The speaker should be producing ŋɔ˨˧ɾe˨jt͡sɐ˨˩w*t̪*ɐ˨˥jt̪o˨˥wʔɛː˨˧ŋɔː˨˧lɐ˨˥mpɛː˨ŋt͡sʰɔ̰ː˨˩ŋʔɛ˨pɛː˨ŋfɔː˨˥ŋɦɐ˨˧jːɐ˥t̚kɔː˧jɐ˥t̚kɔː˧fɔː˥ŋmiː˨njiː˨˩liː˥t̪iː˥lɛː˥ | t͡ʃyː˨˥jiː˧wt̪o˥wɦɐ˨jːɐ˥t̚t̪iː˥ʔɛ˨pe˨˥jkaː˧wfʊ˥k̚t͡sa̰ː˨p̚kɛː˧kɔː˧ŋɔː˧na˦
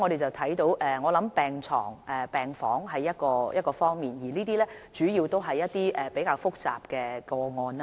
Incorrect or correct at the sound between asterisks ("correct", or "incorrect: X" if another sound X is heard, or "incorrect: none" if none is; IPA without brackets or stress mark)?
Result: incorrect: t̪ʰ